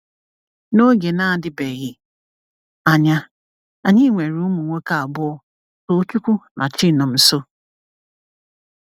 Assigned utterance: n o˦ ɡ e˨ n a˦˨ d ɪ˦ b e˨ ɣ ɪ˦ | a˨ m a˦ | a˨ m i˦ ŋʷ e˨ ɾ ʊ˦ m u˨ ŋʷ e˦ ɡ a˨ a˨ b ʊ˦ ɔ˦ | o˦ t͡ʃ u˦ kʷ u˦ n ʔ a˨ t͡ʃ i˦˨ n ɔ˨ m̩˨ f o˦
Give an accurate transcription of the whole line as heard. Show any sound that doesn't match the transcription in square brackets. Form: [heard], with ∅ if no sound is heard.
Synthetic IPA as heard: n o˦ ɡ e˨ n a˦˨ d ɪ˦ b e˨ ɣ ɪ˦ | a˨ [ɲ] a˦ | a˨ [ɲ] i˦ ŋʷ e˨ ɾ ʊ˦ m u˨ ŋʷ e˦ [k] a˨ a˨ b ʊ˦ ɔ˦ | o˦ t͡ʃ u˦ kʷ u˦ n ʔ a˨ t͡ʃ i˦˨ n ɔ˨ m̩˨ [s] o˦